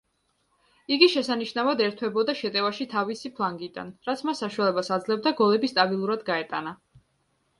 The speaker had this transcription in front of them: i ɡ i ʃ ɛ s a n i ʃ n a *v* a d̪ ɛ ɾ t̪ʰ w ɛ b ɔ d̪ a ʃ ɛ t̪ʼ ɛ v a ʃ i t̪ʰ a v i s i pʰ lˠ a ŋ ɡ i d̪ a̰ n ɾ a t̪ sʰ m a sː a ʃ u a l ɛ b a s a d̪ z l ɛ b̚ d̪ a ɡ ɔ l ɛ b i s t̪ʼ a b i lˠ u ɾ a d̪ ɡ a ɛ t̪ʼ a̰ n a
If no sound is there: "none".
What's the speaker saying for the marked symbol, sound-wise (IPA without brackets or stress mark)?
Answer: v